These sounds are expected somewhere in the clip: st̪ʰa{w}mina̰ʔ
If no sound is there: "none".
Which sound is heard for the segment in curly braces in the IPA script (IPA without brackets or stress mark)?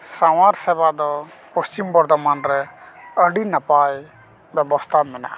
none